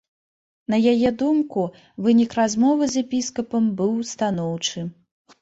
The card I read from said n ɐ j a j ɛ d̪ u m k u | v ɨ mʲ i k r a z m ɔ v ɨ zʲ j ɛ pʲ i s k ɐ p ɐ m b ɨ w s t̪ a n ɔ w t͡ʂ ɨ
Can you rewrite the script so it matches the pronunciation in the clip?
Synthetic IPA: n ɐ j a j ɛ d̪ u m k u | v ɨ nʲ i k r a z m ɔ v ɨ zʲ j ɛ pʲ i s k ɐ p ɐ m b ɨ w s t̪ a n ɔ w t͡ʂ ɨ

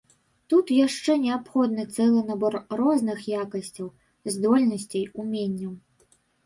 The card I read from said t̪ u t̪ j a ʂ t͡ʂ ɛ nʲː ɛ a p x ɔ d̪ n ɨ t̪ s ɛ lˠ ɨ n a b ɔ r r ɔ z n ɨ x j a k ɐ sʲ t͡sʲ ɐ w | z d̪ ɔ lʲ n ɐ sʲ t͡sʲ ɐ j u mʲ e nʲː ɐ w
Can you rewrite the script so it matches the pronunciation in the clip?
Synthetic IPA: t̪ u t̪ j a ʂ t͡ʂ ɛ nʲ ɛ a p x ɔ d̪ n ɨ t̪ s ɛ lˠ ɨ n a b ɔ r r ɔ z n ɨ x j a k ɐ sʲ t͡sʲ ɐ w | z d̪ ɔ lʲ n ɐ sʲ t͡sʲ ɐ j u mʲ e nʲː ɐ w

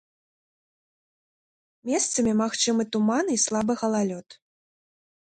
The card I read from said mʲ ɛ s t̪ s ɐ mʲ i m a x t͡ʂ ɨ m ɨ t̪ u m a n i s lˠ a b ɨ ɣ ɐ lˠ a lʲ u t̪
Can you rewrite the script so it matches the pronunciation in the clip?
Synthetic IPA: mʲ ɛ s t̪ s ɐ mʲ i m a x t͡ʂ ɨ m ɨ t̪ u m a n i s lˠ a b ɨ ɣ ɐ lˠ a lʲ ɔ t̪

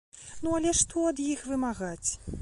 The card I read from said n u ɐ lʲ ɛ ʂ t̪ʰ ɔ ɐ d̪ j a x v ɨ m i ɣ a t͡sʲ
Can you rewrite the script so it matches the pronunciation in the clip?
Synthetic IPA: n u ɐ lʲ ɛ ʂ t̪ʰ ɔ ɐ d̪ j i x v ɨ m a ɣ a t͡sʲ

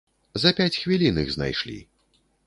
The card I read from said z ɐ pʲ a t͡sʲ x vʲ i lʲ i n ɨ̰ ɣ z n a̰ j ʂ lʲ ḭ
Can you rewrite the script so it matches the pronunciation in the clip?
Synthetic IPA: z ɐ pʲ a t͡sʲ x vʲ i lʲ i n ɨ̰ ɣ z n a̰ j ʂ lʲ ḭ

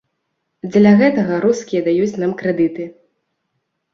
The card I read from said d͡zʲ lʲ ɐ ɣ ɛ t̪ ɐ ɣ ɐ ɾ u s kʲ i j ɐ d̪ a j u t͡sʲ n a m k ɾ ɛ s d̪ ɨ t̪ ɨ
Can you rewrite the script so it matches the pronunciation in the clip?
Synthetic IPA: d͡zʲ lʲ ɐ ɣ ɛ t̪ ɐ ɣ ɐ ɾ u s kʲ i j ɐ d̪ a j u t͡sʲ n a m k ɾ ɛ d̪ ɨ t̪ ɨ

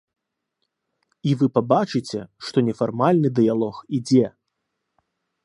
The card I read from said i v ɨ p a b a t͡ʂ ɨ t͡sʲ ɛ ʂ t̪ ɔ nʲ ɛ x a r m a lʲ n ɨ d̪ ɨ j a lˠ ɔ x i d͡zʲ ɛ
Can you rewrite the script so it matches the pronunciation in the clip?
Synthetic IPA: i v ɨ p a b a t͡ʂ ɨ t͡sʲ ɛ ʂ t̪ ɔ nʲ ɛ f a r m a lʲ n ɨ d̪ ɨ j a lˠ ɔ x i d͡zʲ ɛ

